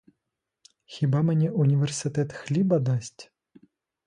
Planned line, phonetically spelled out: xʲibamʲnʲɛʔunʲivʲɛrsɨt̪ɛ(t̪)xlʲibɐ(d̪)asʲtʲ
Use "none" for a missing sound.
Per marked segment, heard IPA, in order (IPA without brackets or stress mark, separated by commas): t̪, d̪